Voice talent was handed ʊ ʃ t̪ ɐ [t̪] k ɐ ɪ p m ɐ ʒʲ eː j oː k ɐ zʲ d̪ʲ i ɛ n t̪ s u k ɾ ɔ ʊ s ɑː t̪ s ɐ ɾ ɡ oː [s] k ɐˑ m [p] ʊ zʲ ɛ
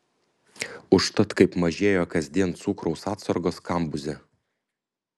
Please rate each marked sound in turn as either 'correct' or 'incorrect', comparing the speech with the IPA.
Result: correct, correct, incorrect: b

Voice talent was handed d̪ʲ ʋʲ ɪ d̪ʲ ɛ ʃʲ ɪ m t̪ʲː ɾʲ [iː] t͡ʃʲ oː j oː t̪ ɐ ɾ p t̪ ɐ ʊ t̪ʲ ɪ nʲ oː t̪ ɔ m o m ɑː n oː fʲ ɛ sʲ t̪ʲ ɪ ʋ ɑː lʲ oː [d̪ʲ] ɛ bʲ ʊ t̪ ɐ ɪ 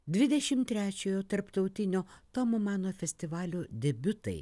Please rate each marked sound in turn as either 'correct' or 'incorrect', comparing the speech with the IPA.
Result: incorrect: æː, correct

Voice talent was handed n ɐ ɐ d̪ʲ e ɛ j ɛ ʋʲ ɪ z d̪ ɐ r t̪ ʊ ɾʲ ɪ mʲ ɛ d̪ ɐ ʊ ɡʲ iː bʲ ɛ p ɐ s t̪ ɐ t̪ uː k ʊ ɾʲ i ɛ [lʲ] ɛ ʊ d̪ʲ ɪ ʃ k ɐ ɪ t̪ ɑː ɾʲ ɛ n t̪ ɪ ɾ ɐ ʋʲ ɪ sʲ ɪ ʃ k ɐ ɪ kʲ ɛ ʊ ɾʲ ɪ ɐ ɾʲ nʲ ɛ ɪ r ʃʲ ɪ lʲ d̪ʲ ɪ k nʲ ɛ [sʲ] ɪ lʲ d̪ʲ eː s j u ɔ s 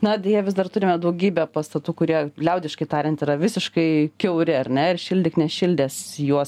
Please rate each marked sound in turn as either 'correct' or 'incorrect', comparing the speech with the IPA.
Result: correct, incorrect: ʃʲ

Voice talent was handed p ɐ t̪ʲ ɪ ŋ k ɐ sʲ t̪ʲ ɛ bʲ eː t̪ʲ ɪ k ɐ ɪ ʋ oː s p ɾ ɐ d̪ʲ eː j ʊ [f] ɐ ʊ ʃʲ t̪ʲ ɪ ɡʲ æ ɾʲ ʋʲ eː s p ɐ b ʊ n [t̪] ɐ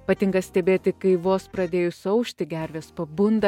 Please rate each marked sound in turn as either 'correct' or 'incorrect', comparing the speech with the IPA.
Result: incorrect: s, incorrect: d̪

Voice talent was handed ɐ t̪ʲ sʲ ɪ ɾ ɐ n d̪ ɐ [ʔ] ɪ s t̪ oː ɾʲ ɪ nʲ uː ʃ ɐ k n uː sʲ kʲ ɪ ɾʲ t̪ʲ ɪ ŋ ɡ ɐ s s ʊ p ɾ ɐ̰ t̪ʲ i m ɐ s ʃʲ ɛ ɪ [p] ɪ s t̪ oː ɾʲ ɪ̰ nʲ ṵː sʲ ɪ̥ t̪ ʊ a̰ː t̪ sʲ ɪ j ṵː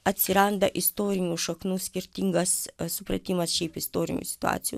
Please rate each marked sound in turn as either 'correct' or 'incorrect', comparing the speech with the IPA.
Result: correct, correct

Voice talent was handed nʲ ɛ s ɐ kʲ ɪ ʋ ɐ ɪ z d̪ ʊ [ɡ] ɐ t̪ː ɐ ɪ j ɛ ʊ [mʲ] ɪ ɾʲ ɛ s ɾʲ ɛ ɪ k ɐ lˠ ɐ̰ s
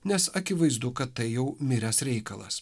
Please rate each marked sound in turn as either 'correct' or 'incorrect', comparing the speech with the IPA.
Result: incorrect: k, correct

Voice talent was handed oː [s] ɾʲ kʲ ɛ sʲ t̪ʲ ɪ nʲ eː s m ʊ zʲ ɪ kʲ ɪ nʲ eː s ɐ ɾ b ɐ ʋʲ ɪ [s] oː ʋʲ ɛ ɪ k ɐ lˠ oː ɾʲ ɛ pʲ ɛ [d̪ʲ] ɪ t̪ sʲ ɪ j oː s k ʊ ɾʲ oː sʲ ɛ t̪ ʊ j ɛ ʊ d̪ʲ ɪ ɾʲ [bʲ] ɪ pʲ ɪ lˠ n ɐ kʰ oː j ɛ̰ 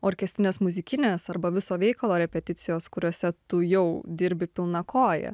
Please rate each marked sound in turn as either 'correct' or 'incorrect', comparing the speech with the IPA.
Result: incorrect: none, correct, incorrect: t̪ʲ, correct

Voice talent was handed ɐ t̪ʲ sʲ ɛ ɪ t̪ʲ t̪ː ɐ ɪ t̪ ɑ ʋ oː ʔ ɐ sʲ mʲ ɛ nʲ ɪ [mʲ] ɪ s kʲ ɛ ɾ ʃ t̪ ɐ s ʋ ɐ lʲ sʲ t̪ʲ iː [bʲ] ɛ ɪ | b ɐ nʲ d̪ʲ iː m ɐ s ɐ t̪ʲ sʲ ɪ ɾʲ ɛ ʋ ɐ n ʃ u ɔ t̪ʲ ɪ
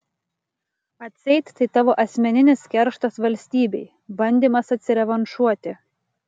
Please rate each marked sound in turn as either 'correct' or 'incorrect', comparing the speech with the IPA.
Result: incorrect: nʲ, correct

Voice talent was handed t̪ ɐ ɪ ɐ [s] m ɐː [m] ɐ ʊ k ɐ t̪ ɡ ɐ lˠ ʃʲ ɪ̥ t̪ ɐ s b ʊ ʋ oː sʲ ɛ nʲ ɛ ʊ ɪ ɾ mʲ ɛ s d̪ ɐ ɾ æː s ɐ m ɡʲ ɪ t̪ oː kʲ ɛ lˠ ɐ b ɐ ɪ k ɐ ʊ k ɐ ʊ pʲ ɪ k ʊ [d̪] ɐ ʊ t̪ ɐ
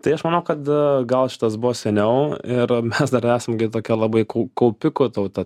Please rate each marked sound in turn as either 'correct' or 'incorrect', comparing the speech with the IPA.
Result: incorrect: ʃ, incorrect: n, incorrect: t̪

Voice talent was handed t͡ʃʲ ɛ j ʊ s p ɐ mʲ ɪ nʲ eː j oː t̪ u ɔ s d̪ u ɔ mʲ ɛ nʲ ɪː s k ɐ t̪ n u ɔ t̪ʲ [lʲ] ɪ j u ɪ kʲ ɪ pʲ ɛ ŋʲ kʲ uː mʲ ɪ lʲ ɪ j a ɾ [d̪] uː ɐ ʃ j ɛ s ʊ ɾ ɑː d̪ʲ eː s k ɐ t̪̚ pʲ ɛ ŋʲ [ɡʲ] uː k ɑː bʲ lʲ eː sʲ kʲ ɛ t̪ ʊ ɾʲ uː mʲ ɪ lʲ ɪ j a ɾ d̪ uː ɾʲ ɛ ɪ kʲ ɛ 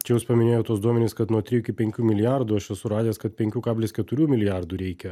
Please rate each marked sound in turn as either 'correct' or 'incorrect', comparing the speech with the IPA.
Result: incorrect: ɾʲ, correct, incorrect: kʲ

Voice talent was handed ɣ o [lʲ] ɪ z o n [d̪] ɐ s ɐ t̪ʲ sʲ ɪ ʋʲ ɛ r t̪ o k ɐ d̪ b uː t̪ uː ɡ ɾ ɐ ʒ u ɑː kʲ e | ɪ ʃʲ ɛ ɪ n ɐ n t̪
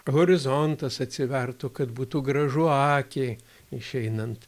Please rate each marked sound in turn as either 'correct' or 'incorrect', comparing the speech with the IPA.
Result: incorrect: ɾʲ, incorrect: t̪

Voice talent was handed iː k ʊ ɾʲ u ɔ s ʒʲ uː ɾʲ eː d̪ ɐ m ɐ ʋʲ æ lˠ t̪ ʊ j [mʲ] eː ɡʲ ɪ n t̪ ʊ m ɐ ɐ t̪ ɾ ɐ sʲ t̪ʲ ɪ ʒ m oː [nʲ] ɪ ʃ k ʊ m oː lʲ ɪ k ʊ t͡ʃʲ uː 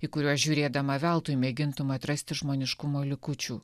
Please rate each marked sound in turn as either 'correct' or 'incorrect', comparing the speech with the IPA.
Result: correct, correct

